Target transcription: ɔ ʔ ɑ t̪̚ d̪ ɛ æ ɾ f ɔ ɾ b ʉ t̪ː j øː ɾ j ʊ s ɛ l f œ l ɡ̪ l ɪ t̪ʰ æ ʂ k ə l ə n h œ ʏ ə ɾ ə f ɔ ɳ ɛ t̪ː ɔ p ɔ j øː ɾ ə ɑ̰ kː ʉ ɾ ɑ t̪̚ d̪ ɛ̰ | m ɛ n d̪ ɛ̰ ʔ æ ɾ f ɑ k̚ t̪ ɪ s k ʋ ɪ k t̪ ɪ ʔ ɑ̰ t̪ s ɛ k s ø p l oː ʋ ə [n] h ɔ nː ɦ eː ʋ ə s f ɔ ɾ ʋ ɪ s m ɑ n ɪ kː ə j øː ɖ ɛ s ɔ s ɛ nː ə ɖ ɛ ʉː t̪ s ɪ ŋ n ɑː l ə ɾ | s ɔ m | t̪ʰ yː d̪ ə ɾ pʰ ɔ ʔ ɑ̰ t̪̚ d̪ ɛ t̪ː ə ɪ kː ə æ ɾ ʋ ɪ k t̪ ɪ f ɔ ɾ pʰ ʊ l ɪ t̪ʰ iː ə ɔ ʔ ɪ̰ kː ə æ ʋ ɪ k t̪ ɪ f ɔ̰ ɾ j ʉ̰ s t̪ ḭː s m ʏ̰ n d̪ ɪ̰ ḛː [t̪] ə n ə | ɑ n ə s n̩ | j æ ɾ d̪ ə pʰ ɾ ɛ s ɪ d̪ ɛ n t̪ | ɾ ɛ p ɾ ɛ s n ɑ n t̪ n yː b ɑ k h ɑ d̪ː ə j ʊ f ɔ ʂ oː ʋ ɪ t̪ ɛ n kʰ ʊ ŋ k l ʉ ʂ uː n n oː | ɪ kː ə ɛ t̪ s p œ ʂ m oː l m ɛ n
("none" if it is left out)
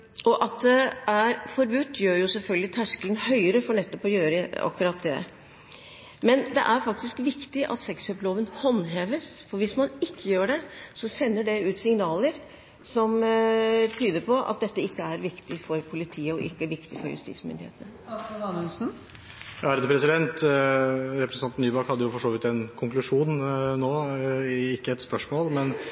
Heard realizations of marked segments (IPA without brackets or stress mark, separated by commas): n, t̪